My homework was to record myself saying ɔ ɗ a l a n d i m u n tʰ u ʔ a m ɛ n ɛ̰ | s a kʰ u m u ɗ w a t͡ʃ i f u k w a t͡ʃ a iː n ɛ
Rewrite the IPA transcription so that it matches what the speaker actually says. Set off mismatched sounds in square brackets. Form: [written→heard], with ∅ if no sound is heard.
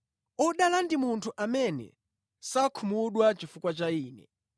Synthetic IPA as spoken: ɔ ɗ a l a n d i m u n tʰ u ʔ a m ɛ n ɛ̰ | s a kʰ u m u ɗ w a t͡ʃ i f u k w a t͡ʃ a iː n ɛ